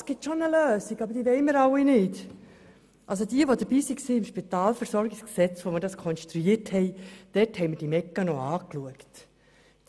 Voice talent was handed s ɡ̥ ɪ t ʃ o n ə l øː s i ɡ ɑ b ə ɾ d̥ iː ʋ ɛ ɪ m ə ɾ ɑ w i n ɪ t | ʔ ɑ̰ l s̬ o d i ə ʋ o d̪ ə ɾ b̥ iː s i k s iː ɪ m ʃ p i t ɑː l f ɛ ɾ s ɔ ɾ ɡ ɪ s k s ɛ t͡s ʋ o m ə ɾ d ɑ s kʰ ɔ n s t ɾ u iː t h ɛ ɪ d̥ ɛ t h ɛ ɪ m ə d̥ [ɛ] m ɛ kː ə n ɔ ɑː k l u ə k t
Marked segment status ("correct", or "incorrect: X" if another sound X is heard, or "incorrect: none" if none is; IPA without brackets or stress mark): incorrect: i